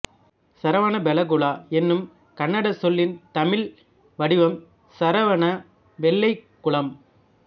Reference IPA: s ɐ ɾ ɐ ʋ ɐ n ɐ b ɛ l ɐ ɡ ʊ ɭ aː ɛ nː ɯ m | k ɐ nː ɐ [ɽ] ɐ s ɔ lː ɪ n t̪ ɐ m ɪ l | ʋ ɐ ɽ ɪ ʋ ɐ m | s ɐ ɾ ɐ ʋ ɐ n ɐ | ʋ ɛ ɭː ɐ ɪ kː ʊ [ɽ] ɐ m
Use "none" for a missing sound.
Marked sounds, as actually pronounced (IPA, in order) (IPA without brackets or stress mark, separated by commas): ɽ, ɭ